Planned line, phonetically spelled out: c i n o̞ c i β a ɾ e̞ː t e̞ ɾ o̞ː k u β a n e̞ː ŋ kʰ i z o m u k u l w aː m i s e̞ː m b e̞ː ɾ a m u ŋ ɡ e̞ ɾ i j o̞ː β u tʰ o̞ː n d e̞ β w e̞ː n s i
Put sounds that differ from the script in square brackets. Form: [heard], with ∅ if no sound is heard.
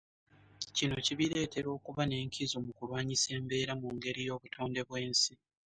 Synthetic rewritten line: c i n o̞ c i β [i] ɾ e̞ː t e̞ ɾ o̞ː k u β a n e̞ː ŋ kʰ i z o m u k u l w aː [ɲ] i s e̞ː m b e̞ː ɾ a m u ŋ ɡ e̞ ɾ i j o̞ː β u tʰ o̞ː n d e̞ β w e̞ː n s i